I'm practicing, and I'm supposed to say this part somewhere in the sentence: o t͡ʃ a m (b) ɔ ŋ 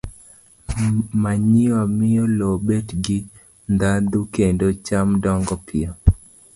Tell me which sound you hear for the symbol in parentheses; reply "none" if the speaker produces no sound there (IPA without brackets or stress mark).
d